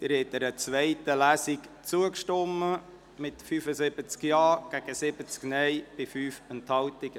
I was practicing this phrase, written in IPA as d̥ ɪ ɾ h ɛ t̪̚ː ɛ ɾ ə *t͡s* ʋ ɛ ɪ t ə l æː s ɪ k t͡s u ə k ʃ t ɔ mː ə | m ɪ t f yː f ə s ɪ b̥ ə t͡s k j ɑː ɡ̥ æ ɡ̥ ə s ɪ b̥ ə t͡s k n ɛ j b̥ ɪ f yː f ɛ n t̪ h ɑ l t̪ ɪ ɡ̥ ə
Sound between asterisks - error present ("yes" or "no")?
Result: no